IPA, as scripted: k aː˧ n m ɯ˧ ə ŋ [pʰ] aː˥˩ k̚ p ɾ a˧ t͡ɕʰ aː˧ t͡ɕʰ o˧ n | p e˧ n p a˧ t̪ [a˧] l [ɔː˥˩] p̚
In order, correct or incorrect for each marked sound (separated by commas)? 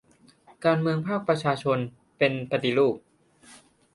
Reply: correct, incorrect, incorrect